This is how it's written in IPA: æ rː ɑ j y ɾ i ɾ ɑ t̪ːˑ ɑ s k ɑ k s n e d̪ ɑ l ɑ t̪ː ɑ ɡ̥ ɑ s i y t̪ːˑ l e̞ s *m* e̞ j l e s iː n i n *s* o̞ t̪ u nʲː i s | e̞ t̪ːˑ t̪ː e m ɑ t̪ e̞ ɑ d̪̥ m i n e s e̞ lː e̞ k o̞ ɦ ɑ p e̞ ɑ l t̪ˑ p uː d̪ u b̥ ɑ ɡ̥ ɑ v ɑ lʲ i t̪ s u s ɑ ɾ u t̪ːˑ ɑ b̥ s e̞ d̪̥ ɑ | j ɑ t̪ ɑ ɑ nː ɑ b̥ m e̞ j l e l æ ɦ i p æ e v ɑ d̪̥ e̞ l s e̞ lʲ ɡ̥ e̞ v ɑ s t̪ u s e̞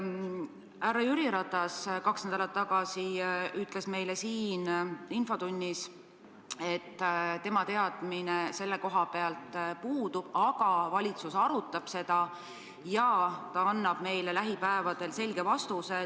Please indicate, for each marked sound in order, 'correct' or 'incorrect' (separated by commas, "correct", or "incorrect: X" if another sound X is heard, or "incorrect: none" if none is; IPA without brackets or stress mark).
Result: correct, incorrect: f